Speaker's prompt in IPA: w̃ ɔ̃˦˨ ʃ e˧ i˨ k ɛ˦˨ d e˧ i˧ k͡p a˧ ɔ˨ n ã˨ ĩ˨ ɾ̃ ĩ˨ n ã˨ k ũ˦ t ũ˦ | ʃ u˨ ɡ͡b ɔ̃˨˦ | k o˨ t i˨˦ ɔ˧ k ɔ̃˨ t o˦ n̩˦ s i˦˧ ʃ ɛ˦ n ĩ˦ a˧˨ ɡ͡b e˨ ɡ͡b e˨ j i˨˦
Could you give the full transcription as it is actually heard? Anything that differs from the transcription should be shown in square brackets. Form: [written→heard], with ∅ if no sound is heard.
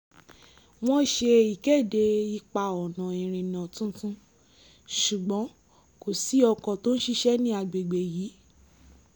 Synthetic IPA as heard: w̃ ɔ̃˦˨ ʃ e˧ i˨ k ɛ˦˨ d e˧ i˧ k͡p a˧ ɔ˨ n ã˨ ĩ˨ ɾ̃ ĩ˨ n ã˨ [k→t] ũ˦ t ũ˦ | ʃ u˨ ɡ͡b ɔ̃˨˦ | k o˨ [t→s] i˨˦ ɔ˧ k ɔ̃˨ t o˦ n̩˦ [s→ʃ] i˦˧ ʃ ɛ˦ n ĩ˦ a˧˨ ɡ͡b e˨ ɡ͡b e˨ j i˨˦